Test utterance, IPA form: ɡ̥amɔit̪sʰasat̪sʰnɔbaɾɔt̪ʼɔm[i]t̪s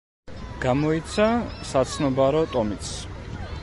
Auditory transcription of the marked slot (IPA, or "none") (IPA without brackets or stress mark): i